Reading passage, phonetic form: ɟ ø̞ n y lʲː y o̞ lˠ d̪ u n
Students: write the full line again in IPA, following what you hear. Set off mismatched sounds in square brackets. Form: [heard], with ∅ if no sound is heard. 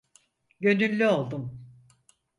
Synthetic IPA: ɟ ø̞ n y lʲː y o̞ lˠ d̪ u [m]